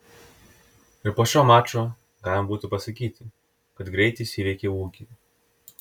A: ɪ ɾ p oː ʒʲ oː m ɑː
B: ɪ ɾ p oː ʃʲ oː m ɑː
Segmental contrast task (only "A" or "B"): B